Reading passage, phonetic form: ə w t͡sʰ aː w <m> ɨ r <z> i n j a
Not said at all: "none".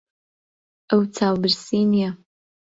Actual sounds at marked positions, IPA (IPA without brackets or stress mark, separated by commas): b, s